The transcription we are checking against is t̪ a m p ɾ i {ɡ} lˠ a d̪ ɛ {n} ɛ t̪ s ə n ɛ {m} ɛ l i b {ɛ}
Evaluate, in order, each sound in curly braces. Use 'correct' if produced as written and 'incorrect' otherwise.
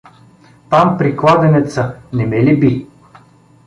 incorrect: k, correct, correct, incorrect: i

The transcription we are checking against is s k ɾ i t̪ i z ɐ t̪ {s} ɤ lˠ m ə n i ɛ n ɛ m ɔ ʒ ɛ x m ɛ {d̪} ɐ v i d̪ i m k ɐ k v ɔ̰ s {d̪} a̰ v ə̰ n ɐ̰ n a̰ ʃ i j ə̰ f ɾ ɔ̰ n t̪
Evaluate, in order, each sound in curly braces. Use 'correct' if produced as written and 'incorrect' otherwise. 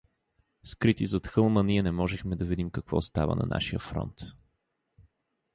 incorrect: x, correct, incorrect: t̪

